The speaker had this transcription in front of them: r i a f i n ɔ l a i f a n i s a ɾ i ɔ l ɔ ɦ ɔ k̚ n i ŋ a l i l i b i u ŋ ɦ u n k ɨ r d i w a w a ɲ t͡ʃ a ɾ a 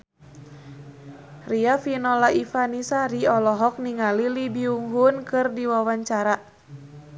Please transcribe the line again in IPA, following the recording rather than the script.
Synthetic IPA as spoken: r i a f i n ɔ l a i f a n i s a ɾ i ɔ l ɔ ɦ ɔ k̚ n i ŋ a l i l i b i u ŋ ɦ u n k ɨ r d i w a w a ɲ t͡ʃ a ɾ a